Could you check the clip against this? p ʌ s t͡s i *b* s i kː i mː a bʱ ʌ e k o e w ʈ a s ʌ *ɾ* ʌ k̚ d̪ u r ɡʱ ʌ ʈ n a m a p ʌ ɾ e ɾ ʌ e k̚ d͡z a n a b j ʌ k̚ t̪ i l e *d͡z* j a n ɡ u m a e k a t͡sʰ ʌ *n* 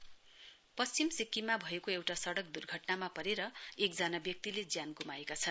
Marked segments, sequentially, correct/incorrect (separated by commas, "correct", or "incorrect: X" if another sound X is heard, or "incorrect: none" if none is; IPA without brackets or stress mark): incorrect: m, incorrect: ɽ, correct, correct